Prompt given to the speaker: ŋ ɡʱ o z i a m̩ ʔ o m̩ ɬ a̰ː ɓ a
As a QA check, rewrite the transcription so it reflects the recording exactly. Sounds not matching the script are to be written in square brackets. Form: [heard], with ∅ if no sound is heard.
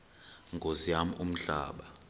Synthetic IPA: ŋ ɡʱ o z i a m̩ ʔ [u] m̩ ɬ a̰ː ɓ a

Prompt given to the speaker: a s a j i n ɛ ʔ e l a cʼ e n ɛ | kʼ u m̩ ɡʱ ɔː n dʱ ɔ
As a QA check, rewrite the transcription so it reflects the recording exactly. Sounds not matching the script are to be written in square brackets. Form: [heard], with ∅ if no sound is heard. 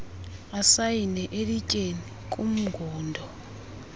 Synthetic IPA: a s a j i n ɛ ʔ e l [i] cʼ e n [i] | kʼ u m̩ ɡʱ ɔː n dʱ ɔ

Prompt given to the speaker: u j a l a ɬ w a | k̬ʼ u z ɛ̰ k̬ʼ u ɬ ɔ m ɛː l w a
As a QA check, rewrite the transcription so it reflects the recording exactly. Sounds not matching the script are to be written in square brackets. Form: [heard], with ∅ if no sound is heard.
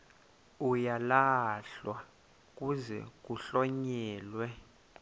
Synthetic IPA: u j a l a ɬ w a | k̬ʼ u z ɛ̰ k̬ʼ u ɬ ɔ [ɲ] ɛː l w [ɛ]

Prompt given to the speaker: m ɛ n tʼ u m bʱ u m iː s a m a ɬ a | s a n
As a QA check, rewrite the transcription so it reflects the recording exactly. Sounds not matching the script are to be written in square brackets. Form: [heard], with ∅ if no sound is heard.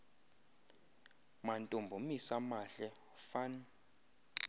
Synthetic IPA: m [a] n tʼ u m bʱ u m [i] s a m a ɬ [ɛ] | [f] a n

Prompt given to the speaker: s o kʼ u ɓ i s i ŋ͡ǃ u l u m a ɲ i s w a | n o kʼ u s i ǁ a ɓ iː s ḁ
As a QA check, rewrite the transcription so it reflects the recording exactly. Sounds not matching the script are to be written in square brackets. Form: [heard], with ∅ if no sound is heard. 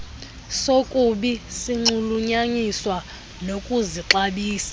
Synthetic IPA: s o kʼ u ɓ i s i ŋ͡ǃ u l u [ɲ] a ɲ i s w a | n o kʼ u [z] i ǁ a ɓ iː s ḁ

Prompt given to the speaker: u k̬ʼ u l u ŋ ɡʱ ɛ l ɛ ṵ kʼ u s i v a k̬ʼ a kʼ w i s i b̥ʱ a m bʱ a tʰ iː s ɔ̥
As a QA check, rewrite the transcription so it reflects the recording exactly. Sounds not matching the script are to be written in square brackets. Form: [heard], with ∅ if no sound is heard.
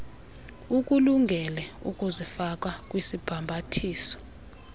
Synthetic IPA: u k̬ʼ u l u ŋ ɡʱ ɛ l ɛ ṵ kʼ u [z] i [f] a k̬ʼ a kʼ w i s i b̥ʱ a m bʱ a tʰ iː s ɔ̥

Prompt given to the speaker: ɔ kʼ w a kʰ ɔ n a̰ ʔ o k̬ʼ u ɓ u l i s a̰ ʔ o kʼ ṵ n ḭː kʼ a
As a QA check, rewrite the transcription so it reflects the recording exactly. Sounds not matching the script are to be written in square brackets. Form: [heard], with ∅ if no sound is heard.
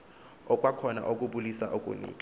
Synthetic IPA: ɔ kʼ w a kʰ ɔ n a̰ ʔ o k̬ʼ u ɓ u l i s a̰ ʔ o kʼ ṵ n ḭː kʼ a

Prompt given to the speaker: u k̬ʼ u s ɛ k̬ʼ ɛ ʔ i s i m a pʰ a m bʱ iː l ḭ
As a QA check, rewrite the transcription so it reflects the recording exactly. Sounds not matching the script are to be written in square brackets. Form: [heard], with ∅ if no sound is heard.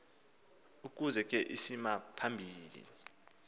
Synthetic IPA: u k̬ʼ u [z] ɛ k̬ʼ ɛ ʔ i s i m a pʰ a m bʱ iː l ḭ

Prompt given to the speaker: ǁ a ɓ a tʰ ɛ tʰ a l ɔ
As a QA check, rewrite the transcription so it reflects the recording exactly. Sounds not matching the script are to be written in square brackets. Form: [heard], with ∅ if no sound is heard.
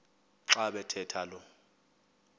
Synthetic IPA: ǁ a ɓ [ɛ] tʰ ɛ tʰ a l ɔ

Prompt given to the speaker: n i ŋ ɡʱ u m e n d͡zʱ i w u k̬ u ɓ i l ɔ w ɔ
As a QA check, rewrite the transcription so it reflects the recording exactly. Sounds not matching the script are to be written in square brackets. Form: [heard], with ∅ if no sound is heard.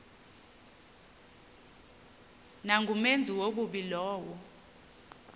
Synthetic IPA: n [a] ŋ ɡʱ u m e n d͡zʱ i w [o] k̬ u ɓ i l [ɔː] w ɔ

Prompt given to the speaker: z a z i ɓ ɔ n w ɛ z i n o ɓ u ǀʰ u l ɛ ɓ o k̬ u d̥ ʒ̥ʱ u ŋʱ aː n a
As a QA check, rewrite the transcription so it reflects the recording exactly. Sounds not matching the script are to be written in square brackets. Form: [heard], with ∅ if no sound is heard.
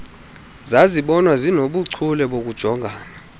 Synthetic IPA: z a z i ɓ ɔ n w [a] z i n o ɓ u ǀʰ u l ɛ ɓ o k̬ u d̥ ʒ̥ʱ [ɔ] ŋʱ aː n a

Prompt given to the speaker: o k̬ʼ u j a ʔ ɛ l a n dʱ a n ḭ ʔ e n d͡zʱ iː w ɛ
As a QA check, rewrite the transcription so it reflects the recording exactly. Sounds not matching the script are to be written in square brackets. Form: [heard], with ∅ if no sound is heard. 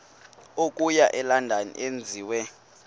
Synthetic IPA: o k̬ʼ u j a ʔ ɛ l a n dʱ a n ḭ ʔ e n d͡zʱ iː w ɛ

